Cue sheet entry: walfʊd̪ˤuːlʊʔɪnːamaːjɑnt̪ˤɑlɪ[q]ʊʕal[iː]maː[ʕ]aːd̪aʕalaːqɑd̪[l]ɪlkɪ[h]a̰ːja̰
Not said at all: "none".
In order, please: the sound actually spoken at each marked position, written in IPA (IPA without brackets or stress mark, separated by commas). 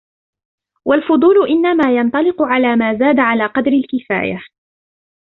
q, aː, z, ɾ, f